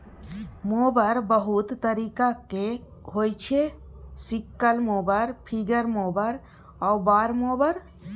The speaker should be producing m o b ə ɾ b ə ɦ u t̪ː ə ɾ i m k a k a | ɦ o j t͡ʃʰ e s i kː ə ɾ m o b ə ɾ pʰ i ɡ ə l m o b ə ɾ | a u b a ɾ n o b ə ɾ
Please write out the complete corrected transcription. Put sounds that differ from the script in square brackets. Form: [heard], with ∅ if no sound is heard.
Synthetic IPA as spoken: m o b ə ɾ b ə ɦ u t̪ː ə ɾ i [∅] k a k [e] | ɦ o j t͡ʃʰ e s i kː ə [l] m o b ə ɾ pʰ i ɡ ə [ɾ] m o b ə ɾ | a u b a ɾ [m] o b ə ɾ